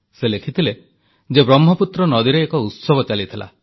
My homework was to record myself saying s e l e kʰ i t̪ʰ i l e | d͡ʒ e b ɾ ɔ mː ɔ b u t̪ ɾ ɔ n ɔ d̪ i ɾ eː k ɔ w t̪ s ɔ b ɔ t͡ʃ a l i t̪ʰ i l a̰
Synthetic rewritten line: s e l e kʰ i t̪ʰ i l e | d͡ʒ e b ɾ ɔ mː ɔ p u t̪ ɾ ɔ n ɔ d̪ i ɾ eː k ɔ u t̪ s ɔ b ɔ t͡ʃ a l i t̪ʰ i l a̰